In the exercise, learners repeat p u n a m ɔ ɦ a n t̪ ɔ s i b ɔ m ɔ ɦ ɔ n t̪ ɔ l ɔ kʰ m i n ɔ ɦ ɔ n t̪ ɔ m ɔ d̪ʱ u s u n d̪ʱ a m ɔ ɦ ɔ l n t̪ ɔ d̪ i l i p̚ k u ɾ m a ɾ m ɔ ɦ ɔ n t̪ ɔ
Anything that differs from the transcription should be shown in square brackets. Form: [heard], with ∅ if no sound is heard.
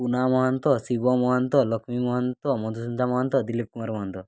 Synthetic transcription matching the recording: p u n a m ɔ ɦ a n t̪ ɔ s i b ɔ m ɔ ɦ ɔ n t̪ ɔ l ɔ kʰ m i [m] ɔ ɦ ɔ n t̪ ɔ m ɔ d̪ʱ u s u n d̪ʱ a m ɔ ɦ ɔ [∅] n t̪ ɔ d̪ i l i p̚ k u [∅] m a ɾ m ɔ ɦ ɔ n t̪ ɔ